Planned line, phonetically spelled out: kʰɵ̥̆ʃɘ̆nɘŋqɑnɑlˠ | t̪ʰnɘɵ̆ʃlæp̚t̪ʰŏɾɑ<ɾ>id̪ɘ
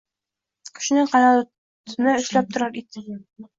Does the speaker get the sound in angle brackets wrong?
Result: no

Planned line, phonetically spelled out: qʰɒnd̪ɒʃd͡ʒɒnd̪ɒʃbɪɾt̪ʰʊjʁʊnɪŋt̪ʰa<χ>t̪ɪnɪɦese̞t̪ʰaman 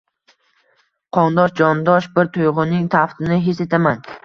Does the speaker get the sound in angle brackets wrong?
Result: yes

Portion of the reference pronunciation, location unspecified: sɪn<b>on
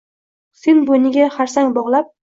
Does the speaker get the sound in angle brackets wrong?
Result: no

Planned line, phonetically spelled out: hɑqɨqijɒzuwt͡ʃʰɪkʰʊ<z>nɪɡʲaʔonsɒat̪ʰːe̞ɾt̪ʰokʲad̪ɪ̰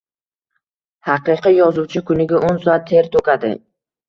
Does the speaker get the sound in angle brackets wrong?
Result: yes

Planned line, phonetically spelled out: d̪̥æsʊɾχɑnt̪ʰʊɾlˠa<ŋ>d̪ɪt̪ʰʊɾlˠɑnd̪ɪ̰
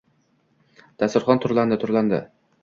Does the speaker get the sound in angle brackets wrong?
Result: yes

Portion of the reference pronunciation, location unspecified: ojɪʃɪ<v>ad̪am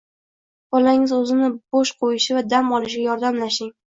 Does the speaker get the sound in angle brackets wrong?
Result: no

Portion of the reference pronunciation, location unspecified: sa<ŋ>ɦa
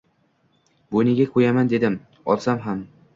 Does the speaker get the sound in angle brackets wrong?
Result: yes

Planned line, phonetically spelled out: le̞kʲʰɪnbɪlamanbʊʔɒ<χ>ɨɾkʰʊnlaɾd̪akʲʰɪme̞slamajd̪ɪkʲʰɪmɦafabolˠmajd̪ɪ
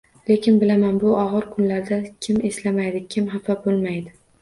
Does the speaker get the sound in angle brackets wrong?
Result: yes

